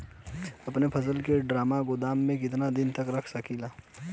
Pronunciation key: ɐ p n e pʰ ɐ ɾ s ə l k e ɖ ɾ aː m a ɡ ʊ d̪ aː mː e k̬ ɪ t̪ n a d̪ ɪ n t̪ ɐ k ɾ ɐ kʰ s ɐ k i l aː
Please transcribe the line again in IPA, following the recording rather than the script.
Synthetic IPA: ɐ p n e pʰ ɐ s ə l k e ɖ ɾ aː m a ɡ ʊ d̪ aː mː ẽ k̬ ɪ t̪ n a d̪ ɪ n t̪ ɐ k ɾ ɐ kʰ s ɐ k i l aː